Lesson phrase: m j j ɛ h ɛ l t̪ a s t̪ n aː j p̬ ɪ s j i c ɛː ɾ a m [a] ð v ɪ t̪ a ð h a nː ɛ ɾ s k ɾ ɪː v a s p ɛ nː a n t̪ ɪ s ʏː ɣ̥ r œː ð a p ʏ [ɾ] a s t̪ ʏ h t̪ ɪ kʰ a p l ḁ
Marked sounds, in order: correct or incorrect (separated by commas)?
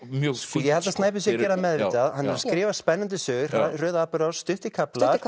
incorrect, correct